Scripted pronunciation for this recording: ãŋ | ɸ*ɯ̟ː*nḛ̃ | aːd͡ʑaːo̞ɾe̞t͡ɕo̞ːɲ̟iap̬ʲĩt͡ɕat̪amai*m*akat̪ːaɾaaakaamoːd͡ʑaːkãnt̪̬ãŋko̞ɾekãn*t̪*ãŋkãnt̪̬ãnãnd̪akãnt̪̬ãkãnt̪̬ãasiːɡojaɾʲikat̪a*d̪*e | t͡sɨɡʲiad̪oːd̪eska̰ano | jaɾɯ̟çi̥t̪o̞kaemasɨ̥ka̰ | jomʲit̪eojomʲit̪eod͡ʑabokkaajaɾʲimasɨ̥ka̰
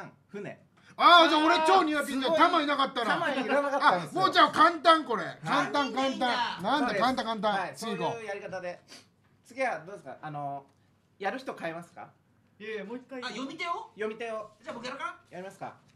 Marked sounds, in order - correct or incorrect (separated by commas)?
incorrect, incorrect, correct, correct